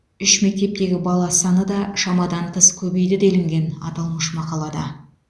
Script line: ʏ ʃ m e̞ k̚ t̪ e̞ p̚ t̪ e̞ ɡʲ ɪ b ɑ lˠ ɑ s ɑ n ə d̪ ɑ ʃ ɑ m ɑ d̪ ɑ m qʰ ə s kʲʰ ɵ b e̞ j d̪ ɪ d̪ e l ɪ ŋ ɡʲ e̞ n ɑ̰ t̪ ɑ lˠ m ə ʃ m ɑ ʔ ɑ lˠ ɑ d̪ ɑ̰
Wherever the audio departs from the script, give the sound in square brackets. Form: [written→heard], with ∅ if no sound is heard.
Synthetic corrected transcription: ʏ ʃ m e̞ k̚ t̪ e̞ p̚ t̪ e̞ ɡʲ ɪ b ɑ lˠ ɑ s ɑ n ə d̪ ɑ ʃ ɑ m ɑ d̪ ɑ [m→ɴ] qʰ ə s kʲʰ ɵ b e̞ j d̪ ɪ d̪ e l ɪ ŋ ɡʲ e̞ n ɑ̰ t̪ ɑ lˠ m ə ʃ m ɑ [ʔ→q] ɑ lˠ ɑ d̪ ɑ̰